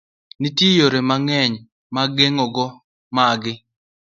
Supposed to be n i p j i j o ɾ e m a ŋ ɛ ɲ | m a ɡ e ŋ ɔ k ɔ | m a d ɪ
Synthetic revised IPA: n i t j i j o ɾ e m a ŋ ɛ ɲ | m a ɡ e ŋ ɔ ɡ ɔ | m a ɡ ɪ